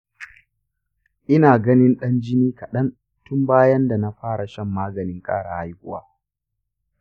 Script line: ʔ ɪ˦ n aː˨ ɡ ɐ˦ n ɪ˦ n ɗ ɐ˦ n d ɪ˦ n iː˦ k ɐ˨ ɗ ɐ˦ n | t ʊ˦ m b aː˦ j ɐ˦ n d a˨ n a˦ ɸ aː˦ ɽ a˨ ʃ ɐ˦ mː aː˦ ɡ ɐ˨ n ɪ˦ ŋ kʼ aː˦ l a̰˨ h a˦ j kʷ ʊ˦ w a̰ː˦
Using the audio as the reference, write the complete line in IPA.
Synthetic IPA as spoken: ʔ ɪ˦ n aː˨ ɡ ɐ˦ n ɪ˦ n ɗ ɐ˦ n d͡ʒ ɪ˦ n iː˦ k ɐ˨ ɗ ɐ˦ n | t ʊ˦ m b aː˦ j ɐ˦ n d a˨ n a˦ ɸ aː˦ ɽ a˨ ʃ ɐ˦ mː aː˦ ɡ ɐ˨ n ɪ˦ ŋ kʼ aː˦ ɽ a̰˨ h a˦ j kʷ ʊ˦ w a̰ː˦